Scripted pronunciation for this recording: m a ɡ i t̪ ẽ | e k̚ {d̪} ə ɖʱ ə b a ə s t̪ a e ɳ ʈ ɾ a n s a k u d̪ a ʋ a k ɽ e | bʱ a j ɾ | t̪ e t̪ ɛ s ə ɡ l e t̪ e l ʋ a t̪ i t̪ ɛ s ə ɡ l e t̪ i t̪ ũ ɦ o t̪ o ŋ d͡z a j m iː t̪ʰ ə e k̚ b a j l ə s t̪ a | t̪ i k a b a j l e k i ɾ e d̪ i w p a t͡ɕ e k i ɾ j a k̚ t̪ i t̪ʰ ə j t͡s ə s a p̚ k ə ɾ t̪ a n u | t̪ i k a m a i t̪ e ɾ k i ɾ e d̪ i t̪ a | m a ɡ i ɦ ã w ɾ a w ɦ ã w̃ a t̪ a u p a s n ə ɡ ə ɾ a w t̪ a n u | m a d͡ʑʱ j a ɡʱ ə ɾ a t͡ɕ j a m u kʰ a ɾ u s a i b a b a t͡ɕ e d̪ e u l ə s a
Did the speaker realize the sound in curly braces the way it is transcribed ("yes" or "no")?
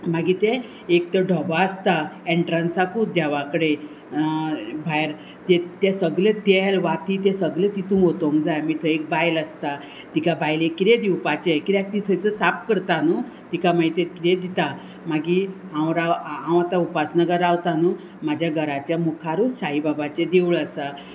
no